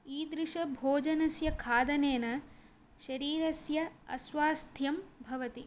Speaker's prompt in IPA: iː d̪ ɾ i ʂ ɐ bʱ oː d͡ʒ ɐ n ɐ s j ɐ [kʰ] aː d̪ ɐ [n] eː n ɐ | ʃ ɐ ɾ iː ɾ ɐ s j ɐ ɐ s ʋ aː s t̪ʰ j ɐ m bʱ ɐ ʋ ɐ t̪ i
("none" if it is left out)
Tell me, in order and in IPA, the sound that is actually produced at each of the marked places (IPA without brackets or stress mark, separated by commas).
kʰ, n